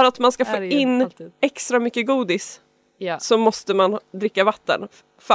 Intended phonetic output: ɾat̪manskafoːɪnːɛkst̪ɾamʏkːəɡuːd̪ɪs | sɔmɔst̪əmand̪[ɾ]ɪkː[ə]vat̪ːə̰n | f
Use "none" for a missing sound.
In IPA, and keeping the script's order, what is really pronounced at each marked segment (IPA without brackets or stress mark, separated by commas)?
ɾ, a